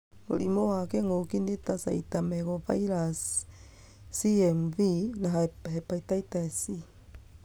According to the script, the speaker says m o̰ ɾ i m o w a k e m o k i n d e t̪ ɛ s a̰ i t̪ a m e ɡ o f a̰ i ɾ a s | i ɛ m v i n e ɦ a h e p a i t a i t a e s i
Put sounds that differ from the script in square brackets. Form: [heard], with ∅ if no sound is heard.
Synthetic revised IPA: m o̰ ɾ i m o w a k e [ŋ] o k i n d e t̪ [a] s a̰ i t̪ a m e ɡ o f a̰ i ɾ a s | i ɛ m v i n [a] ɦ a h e p a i t a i t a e s i